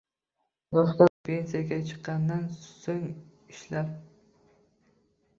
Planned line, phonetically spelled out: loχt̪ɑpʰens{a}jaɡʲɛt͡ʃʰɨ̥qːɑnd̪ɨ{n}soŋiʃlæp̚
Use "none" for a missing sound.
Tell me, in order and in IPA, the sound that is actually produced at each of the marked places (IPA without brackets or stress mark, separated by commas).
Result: i, n